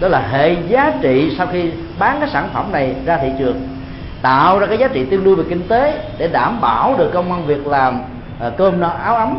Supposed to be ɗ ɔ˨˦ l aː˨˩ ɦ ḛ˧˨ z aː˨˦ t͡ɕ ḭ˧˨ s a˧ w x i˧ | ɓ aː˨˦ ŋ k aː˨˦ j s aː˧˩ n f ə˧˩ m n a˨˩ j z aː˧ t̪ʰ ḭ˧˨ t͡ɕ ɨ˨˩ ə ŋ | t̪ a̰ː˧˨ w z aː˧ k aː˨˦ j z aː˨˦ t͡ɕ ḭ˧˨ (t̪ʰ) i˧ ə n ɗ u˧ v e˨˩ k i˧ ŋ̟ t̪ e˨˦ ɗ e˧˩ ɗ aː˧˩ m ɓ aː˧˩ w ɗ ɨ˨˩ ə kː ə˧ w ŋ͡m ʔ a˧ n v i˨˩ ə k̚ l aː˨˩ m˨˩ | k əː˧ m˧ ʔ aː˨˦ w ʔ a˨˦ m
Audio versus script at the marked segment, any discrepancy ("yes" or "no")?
yes